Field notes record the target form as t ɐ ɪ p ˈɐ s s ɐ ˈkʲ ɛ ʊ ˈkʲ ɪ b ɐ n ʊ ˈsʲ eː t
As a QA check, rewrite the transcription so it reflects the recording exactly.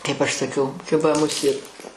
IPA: k ɐ ɪ p ˈɐ ʃ s ɐ ˈkʲ ɛ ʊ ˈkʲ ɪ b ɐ m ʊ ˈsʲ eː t